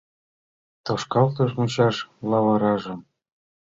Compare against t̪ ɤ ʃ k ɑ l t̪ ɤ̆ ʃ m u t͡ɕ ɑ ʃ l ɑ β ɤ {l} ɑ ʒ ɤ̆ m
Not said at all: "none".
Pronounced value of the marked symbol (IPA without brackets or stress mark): ɾ